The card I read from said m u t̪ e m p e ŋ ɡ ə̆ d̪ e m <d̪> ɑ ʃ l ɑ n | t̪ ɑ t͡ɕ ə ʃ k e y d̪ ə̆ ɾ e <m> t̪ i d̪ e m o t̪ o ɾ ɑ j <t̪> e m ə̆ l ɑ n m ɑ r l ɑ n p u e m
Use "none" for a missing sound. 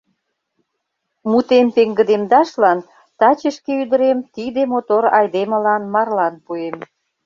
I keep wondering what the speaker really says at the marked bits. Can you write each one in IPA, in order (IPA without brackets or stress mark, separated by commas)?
d̪, m, d̪